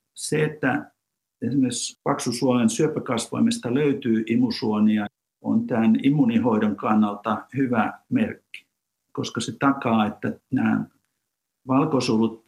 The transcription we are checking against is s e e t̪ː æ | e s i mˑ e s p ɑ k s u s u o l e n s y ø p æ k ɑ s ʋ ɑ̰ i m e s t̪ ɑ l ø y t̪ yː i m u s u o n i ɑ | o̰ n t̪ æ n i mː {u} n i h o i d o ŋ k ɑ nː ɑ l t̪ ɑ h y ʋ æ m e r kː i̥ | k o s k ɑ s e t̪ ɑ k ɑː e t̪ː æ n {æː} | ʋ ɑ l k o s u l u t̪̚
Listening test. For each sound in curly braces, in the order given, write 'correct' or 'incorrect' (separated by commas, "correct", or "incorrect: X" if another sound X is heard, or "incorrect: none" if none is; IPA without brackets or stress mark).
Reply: correct, correct